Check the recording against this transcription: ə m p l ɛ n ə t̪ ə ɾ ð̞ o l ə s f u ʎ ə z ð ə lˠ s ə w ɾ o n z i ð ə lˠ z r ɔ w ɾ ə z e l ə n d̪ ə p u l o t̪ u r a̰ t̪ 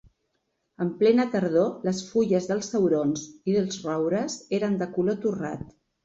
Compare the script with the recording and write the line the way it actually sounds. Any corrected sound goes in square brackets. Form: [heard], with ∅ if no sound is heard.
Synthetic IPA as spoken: ə m p l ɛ n ə t̪ ə ɾ ð̞ o l ə s f u ʎ ə z ð ə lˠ s ə w ɾ o n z i ð ə lˠ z r ɔ w ɾ ə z e [ɾ] ə n d̪ ə [k] u l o t̪ u r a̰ t̪

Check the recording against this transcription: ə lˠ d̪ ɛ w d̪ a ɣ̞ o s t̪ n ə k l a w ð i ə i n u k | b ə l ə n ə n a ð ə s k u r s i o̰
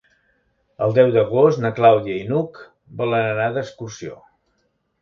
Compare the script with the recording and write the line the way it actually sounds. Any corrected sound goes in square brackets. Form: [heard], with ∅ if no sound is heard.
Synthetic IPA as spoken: ə lˠ d̪ ɛ w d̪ [ə] ɣ̞ o s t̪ n ə k l a w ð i ə i n u k | b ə l ə n ə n a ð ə s k u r s i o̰

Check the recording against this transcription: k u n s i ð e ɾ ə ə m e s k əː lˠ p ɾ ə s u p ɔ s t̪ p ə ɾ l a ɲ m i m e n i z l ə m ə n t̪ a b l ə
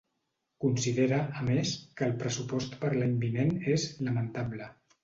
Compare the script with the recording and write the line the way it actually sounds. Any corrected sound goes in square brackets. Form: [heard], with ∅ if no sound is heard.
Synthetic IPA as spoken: k u n s i ð e ɾ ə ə m e s k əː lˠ p ɾ ə s u p ɔ s t̪ p ə ɾ l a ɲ [b] i [n] e n [e] z l ə m ə n t̪ a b l ə

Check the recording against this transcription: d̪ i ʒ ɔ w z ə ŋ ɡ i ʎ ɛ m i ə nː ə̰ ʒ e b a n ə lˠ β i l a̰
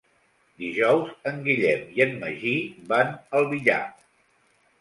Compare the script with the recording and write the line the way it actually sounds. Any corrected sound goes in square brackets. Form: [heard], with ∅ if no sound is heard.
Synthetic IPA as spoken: d̪ i ʒ ɔ w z ə ŋ ɡ i ʎ ɛ m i ə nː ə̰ ʒ [i] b a n ə lˠ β i [ʎ] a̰

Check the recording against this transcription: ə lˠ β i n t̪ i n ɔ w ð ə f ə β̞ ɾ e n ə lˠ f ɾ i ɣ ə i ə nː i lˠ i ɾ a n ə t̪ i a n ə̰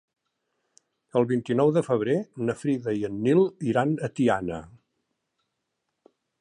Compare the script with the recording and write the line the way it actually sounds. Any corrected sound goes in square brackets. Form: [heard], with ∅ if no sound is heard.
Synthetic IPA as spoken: ə lˠ β i n t̪ i n ɔ w ð ə f ə β̞ ɾ e n ə [∅] f ɾ i [ð] ə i ə nː i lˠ i ɾ a n ə t̪ i a n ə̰

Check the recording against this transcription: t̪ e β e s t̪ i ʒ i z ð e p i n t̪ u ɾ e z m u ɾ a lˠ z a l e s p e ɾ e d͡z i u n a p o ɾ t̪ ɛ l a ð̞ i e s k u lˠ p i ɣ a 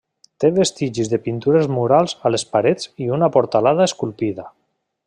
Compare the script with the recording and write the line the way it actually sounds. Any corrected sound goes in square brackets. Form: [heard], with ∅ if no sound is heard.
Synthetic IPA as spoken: t̪ e β e s t̪ i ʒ i z ð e p i n t̪ u ɾ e z m u ɾ a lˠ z a l e s p [a] ɾ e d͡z i u n a p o ɾ t̪ [a] l a ð̞ [a] e s k u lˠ p i [ð] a

